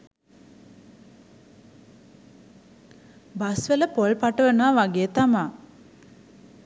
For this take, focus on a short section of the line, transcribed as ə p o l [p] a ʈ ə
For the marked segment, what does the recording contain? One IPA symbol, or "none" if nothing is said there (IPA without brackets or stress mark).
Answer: p